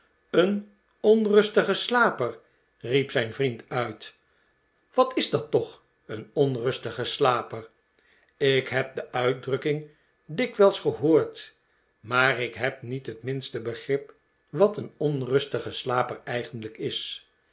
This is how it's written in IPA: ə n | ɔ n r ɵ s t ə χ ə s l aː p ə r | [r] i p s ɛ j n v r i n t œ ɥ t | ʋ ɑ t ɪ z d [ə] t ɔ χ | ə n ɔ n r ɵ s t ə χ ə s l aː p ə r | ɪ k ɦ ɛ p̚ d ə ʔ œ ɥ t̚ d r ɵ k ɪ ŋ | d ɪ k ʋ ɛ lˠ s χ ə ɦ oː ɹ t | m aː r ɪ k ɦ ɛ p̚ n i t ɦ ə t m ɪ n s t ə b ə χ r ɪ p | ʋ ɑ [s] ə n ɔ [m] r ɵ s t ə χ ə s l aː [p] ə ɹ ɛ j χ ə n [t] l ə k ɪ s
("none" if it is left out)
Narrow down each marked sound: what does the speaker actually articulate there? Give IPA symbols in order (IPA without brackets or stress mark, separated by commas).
r, ɑ, t, n, p, d